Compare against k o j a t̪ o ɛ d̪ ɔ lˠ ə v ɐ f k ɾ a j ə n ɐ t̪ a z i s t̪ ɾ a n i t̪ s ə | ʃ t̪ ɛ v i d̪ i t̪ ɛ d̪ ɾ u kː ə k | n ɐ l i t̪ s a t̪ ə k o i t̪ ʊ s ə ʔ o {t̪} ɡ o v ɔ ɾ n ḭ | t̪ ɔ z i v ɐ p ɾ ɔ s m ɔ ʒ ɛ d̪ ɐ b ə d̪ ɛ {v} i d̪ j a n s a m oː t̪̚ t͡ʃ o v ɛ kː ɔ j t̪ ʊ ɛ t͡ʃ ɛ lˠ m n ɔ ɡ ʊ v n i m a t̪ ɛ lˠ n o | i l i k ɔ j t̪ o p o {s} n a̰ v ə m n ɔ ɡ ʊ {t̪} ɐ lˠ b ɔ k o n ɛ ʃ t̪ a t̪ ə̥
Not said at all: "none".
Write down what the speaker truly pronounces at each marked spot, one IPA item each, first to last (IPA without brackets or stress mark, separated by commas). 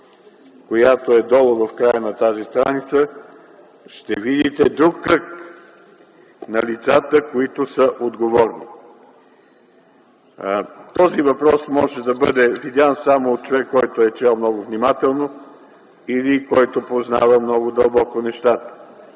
d̪, v, z, d̪